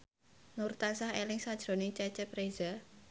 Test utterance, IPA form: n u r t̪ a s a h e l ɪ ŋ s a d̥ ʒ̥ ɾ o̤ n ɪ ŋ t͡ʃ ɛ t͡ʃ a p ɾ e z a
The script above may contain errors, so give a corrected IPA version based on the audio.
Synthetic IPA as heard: n u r t̪ a s a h e l ɪ ŋ s a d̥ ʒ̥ ɾ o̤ n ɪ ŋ t͡ʃ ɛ t͡ʃ ɛ p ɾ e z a